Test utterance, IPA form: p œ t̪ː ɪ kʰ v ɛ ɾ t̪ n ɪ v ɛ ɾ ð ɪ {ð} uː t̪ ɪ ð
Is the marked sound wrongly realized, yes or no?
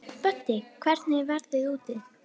no